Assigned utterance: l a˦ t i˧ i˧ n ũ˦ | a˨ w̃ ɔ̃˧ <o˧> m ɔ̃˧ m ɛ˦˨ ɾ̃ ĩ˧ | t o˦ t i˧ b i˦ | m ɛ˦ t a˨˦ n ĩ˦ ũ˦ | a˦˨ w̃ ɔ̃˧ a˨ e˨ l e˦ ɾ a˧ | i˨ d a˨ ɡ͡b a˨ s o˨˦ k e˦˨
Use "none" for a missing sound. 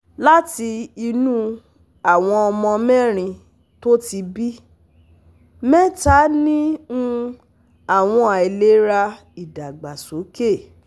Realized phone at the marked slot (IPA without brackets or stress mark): ɔ˧